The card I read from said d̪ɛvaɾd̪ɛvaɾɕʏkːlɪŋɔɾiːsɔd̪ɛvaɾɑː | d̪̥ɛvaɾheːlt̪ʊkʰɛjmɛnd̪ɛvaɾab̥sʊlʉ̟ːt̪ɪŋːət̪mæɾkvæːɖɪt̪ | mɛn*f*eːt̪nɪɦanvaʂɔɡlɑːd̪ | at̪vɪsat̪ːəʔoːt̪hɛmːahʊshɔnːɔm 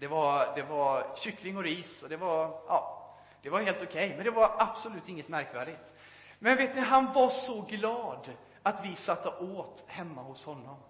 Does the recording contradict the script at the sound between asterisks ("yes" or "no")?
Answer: yes